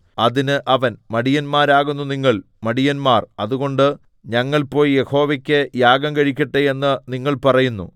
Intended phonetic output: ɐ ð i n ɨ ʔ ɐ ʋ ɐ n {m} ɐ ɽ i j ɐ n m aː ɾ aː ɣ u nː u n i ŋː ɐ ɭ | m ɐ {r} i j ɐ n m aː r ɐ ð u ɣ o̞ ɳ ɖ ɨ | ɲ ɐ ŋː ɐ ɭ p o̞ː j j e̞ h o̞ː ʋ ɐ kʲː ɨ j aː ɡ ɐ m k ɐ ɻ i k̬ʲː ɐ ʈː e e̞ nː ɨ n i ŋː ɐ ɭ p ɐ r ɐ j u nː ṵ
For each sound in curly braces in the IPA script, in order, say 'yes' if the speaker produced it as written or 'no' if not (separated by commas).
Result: yes, no